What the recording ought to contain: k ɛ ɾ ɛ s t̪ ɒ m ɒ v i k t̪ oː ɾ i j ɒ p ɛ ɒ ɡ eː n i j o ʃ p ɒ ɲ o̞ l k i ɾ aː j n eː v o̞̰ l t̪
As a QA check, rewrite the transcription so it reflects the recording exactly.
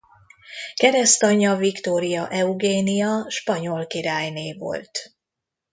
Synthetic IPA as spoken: k ɛ ɾ ɛ s t̪ ɒ ɲ ɒ v i k t̪ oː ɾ i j ɒ ʔ ɛ u ɡ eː n i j ɒ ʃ p ɒ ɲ o̞ l k i ɾ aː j n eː v o̞̰ l t̪